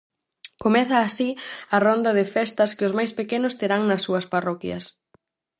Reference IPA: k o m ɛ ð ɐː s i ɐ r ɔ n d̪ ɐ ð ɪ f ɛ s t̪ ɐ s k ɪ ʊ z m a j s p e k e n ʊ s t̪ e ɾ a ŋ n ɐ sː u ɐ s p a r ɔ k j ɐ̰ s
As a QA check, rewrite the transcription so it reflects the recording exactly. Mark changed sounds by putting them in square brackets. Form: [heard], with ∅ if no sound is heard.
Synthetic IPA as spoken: k o m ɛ [θ] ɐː s i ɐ r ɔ n d̪ ɐ ð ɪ f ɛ s t̪ ɐ s k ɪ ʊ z m a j s p e k e n ʊ s t̪ e ɾ a ŋ n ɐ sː u ɐ s p a r ɔ k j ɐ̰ s

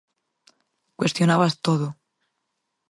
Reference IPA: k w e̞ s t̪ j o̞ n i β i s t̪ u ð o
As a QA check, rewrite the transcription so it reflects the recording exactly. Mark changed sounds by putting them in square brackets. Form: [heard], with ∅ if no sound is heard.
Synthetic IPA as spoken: k w e̞ s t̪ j o̞ n [a] β [a] s t̪ [o] ð o

